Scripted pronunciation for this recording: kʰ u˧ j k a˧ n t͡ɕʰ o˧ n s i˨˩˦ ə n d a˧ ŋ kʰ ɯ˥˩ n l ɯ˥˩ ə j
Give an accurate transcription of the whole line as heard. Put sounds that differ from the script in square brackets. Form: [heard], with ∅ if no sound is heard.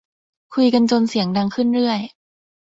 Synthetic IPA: kʰ u˧ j k a˧ n [t͡ɕ] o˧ n s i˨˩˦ ə [ŋ] d a˧ ŋ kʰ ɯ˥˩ n [ɾ] ɯ˥˩ ə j